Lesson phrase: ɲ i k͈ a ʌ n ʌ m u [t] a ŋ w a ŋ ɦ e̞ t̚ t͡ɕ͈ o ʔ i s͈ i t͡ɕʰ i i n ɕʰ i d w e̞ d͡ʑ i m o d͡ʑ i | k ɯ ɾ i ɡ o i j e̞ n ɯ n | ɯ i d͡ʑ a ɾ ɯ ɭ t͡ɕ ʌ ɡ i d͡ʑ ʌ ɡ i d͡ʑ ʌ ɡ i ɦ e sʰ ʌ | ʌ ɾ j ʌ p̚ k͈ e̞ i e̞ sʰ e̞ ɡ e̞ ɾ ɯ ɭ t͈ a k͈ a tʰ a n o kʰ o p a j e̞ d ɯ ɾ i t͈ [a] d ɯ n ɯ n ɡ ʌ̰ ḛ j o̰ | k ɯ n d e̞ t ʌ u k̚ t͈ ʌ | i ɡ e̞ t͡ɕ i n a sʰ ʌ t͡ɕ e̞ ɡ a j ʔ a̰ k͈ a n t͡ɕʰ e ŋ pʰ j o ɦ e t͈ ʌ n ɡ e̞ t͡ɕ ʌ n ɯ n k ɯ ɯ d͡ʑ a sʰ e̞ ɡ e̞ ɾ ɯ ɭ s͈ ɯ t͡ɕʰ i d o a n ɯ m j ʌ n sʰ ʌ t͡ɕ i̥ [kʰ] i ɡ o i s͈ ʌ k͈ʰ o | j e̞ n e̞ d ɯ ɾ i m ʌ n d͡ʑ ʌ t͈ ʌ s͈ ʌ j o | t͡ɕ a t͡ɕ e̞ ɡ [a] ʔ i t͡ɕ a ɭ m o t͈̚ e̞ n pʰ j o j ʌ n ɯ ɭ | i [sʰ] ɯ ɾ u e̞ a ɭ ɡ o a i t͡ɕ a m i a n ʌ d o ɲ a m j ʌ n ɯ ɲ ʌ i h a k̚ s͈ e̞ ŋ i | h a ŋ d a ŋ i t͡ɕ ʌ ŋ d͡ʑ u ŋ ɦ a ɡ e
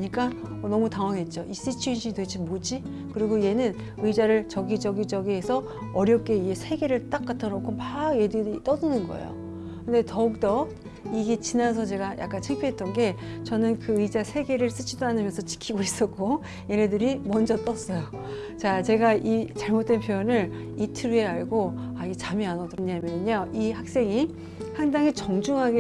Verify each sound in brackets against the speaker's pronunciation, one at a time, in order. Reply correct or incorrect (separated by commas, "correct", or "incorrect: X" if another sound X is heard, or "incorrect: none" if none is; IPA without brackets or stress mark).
correct, incorrect: ʌ, correct, correct, incorrect: tʰ